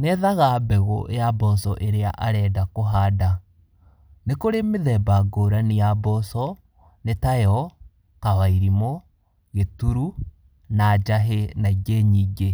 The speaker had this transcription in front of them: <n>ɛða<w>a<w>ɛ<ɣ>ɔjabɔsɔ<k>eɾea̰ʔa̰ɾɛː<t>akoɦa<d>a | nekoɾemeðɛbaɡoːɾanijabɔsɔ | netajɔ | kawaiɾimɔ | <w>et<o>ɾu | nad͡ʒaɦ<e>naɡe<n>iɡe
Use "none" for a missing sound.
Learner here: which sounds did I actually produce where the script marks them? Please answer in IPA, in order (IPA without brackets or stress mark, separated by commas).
n, ɣ, b, ɣ, ʔ, d, d, ɣ, u, e, ɲ